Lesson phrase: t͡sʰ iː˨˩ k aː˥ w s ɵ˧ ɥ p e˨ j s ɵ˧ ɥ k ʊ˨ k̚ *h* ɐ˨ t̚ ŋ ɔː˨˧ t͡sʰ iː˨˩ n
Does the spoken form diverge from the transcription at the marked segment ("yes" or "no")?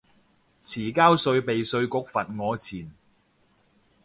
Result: yes